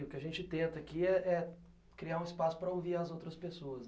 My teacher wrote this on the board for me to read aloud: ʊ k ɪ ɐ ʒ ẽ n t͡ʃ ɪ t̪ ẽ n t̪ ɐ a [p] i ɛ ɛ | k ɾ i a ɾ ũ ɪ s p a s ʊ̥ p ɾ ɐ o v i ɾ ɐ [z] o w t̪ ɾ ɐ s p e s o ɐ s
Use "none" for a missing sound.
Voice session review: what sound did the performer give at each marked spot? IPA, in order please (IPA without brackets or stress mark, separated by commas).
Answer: k, z